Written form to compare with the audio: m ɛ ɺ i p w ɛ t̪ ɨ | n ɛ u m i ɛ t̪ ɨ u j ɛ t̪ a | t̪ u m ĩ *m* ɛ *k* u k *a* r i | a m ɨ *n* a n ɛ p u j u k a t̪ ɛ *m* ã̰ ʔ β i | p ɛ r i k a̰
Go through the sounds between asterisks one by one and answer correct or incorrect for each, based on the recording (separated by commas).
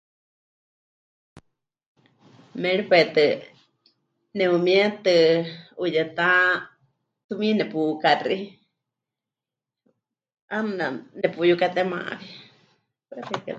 incorrect, incorrect, correct, correct, correct